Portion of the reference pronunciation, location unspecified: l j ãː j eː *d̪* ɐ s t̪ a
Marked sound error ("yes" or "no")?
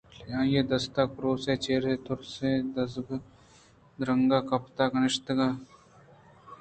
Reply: no